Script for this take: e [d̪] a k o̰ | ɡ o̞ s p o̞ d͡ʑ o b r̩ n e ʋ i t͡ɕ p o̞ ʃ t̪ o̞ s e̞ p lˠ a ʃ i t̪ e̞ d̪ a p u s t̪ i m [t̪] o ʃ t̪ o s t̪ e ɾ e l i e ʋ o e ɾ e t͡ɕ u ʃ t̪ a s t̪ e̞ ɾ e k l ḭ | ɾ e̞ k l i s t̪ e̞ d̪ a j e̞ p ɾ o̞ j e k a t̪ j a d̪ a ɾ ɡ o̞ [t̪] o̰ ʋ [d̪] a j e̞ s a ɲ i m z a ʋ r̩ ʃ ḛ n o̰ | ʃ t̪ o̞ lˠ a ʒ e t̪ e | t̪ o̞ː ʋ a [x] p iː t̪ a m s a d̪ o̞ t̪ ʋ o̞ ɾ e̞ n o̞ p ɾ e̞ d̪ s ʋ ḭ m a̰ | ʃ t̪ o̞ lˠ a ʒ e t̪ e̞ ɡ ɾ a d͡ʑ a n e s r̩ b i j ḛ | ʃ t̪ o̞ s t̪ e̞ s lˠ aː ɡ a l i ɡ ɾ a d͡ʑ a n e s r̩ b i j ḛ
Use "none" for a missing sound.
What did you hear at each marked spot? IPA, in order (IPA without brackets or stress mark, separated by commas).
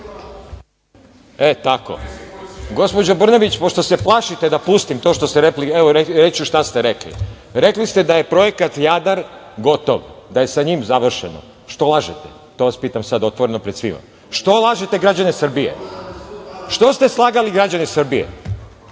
t̪, t̪, t̪, d̪, s